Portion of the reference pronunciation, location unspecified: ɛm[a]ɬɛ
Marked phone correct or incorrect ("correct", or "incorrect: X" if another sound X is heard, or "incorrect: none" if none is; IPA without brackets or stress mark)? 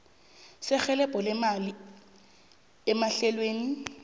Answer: correct